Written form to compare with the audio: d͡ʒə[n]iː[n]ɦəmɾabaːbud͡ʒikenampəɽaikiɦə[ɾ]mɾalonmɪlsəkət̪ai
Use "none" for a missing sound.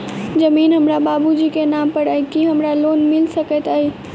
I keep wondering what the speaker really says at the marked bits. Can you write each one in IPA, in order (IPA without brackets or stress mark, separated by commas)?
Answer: m, n, none